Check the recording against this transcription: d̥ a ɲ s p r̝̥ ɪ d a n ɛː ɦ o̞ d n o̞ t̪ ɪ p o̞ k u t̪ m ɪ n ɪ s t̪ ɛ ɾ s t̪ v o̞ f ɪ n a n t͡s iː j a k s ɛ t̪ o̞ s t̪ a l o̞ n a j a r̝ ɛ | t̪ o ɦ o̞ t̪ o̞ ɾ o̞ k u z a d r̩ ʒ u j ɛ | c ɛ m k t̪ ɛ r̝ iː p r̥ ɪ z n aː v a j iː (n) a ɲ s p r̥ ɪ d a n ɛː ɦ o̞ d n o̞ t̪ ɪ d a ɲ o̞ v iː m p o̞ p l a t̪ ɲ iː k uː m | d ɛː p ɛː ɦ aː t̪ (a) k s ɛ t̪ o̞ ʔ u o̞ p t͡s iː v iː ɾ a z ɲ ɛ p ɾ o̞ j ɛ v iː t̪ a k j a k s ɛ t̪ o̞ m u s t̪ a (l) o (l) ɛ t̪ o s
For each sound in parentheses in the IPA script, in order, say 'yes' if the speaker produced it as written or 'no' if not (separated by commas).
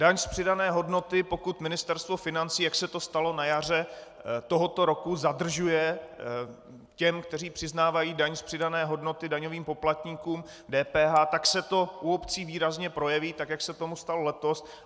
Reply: no, yes, yes, yes